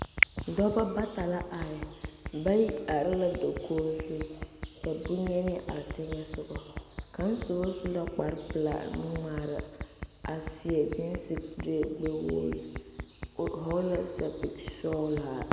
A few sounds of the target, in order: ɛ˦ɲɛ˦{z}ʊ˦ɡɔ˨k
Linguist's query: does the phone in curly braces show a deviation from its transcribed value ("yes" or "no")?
yes